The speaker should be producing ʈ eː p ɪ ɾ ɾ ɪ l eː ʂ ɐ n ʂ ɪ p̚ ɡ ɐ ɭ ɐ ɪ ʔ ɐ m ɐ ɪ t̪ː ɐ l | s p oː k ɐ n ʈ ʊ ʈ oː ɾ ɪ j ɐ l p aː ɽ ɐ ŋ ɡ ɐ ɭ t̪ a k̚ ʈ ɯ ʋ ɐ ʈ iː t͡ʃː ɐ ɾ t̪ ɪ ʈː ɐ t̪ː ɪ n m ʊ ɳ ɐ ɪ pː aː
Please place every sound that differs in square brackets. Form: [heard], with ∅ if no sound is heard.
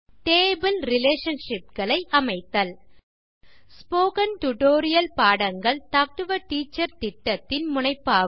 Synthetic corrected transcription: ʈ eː [b] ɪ [l] ɾ ɪ l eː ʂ ɐ n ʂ ɪ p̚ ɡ ɐ ɭ ɐ ɪ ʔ ɐ m ɐ ɪ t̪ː ɐ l | s p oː k ɐ n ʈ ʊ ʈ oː ɾ ɪ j ɐ l p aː ɽ ɐ ŋ ɡ ɐ ɭ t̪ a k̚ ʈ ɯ ʋ ɐ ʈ iː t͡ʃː ɐ ɾ t̪ ɪ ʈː ɐ t̪ː ɪ n m ʊ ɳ ɐ ɪ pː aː